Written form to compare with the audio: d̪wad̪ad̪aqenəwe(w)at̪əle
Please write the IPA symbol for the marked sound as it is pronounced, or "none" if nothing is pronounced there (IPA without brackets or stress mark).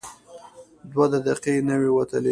w